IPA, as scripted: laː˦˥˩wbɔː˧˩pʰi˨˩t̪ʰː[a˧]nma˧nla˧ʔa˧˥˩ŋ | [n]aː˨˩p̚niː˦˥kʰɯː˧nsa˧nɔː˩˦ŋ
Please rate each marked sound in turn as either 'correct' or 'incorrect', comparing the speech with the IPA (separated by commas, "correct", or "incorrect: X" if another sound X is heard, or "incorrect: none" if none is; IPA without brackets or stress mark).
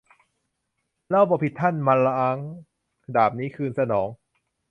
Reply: incorrect: a˥˩, incorrect: d